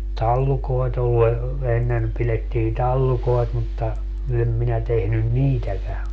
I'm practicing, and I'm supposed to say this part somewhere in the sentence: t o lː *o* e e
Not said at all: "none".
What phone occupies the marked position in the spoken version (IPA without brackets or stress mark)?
u